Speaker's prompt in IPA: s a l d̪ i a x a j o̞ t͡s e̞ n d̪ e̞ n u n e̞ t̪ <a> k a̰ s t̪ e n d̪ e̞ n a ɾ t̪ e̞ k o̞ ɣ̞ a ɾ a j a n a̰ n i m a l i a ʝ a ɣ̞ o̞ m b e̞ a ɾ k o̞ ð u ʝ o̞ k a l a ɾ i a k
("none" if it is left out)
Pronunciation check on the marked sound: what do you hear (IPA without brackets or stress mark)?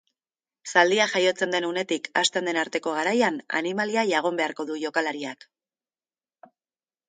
i